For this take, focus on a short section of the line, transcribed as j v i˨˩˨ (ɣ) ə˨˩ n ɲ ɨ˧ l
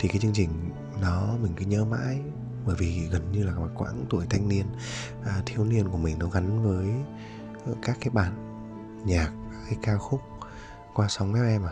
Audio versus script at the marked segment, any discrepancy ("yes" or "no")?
no